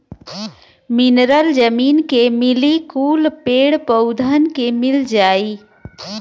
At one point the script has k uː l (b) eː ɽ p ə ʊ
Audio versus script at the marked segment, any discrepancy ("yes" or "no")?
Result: yes